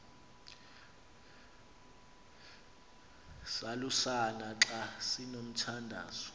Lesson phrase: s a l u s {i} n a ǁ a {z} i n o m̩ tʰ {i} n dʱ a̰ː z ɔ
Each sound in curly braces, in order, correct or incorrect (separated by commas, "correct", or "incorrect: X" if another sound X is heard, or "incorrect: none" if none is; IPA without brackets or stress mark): incorrect: a, incorrect: s, incorrect: a